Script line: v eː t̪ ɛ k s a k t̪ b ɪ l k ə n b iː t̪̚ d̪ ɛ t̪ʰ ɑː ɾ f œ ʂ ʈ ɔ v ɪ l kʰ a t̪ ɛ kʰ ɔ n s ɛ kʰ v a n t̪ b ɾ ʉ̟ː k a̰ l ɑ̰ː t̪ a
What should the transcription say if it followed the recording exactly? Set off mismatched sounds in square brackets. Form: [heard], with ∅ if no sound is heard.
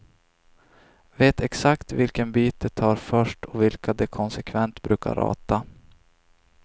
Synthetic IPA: v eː t̪ ɛ k s a k t̪ [v] ɪ l k ə n b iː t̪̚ d̪ ɛ t̪ʰ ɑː ɾ f œ ʂ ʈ ɔ v ɪ l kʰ a [d̪] ɛ kʰ ɔ n s ɛ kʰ v [ɛ] n t̪ b ɾ ʉ̟ː k a̰ [ɾ] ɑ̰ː t̪ a